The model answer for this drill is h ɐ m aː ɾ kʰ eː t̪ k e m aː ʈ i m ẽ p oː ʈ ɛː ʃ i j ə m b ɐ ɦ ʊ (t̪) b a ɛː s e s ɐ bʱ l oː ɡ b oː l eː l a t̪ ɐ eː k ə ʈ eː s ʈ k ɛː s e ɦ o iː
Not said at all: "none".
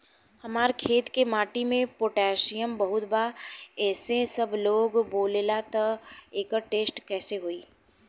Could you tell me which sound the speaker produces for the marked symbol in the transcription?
t̪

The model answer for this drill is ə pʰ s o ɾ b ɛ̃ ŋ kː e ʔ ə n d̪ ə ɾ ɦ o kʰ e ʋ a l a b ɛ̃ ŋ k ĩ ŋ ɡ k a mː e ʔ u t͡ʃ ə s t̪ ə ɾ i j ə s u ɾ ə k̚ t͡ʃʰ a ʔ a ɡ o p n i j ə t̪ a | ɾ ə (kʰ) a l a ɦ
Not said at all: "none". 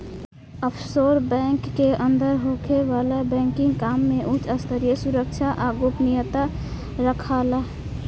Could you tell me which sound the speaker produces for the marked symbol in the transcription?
kʰ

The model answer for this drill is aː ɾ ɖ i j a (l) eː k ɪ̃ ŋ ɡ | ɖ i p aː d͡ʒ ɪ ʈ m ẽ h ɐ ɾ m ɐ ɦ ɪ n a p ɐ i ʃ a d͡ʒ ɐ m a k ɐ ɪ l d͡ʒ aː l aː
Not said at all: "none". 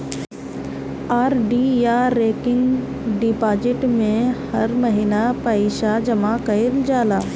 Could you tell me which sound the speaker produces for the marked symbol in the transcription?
ɾ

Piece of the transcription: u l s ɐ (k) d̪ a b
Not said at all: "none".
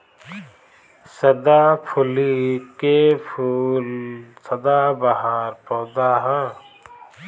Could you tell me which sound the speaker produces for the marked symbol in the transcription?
none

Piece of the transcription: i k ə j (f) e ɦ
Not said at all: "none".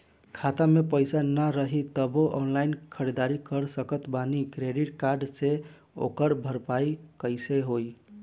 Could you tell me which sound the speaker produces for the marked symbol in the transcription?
s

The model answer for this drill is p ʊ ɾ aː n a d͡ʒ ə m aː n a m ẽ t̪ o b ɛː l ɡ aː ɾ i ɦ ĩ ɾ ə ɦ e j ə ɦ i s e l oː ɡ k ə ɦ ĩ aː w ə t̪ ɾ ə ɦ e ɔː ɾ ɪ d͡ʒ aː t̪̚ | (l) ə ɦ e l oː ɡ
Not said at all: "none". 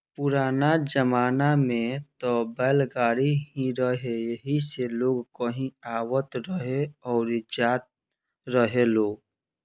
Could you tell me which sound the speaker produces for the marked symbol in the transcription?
ɾ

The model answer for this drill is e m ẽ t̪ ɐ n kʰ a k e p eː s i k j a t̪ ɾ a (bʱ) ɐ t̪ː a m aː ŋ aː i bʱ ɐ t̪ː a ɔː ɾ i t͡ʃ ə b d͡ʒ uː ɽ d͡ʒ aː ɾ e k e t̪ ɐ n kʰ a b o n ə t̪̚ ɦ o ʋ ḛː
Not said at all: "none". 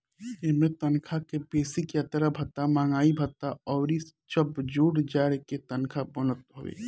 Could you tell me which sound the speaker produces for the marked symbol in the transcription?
bʱ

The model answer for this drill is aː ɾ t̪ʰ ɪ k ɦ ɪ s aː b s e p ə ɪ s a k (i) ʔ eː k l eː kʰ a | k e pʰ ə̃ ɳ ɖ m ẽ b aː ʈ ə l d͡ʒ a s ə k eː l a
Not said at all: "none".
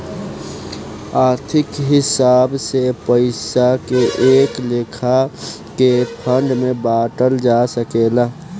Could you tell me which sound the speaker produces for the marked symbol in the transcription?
e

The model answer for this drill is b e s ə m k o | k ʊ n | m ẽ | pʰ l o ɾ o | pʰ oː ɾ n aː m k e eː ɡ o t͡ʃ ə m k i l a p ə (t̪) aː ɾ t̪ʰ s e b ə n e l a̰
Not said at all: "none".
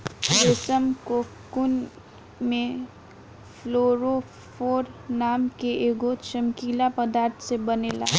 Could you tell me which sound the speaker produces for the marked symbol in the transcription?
d̪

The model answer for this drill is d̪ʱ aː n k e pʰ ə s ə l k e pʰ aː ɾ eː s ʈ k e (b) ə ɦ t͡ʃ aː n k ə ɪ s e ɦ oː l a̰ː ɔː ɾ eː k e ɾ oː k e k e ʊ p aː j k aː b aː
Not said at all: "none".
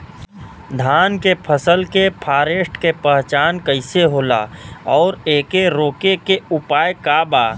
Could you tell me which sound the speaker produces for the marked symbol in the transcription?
p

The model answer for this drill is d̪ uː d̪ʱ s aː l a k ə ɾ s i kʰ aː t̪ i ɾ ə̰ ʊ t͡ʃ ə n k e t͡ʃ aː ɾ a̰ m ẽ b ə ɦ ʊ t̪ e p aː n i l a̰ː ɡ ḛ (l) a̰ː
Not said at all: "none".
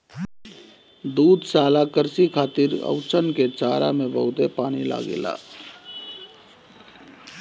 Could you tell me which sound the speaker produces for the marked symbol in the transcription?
l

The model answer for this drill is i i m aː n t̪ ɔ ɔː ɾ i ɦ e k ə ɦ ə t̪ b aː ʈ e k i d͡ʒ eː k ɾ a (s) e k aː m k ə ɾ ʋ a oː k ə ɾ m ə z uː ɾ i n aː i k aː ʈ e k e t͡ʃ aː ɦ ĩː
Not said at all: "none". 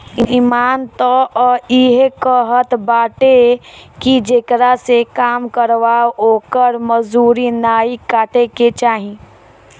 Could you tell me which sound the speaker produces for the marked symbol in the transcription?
s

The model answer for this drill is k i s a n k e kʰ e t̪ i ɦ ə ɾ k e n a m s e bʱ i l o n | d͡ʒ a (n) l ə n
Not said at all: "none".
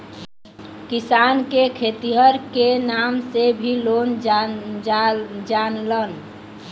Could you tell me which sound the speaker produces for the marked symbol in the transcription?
n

